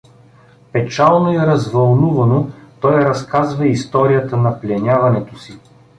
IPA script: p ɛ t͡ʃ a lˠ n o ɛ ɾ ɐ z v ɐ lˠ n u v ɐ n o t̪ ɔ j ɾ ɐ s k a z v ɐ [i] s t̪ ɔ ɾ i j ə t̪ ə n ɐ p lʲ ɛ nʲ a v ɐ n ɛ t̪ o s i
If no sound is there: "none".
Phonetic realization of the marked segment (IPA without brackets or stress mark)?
i